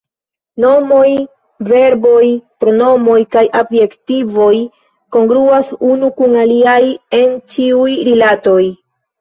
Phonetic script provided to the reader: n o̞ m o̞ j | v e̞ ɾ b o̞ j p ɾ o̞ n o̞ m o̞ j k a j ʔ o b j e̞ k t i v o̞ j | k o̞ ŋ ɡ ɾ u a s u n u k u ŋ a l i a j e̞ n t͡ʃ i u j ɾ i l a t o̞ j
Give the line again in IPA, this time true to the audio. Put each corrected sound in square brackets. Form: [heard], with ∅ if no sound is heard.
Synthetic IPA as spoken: n o̞ m o̞ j | v e̞ ɾ b o̞ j p ɾ o̞ n o̞ m o̞ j k a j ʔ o b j e̞ k t i v o̞ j | k o̞ ŋ ɡ ɾ u a s u n u k u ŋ a l i a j e̞ n t͡ʃ i u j ɾ i l a t o̞ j